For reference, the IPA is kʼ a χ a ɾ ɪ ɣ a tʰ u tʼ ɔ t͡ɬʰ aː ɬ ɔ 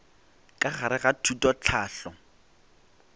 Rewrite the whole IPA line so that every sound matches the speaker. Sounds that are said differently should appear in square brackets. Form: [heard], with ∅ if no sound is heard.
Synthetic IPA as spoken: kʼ a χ a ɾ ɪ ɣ a tʰ u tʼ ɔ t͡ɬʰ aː ɬ ɔ